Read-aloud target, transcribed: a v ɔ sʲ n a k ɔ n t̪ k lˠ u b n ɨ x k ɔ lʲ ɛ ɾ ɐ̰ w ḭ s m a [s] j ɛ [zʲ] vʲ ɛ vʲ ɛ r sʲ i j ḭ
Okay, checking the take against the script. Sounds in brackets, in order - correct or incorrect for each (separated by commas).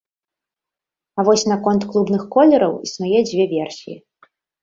incorrect, incorrect